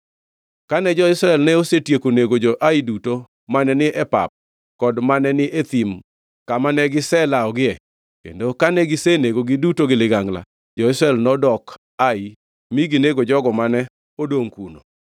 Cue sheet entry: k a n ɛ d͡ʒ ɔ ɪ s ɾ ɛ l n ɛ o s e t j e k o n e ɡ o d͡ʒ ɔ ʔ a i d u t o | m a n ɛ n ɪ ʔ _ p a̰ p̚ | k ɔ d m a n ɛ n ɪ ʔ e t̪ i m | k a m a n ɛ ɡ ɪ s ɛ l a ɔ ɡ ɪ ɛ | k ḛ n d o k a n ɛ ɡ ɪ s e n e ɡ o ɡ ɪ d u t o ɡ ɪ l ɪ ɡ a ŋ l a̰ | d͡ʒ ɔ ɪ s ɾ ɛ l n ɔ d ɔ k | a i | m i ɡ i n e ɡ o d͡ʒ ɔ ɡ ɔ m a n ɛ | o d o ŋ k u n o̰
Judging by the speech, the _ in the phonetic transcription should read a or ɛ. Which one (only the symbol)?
ɛ